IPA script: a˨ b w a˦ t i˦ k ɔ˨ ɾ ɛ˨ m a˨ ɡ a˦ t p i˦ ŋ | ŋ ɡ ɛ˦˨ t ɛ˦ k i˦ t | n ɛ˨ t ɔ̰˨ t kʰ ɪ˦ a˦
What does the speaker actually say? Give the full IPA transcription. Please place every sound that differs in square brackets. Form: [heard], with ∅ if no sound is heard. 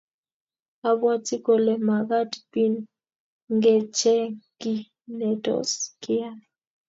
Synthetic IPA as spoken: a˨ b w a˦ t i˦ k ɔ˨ [l] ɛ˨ m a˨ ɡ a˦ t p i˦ [n] | ŋ ɡ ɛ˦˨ [t͡ʃ] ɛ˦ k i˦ [∅] | n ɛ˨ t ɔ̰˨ [s] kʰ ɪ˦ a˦